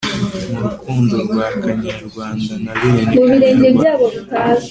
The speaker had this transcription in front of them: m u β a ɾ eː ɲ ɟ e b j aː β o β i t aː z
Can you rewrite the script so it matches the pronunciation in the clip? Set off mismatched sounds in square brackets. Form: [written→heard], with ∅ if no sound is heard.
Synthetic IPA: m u β [a→i] ɾ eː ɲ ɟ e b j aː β o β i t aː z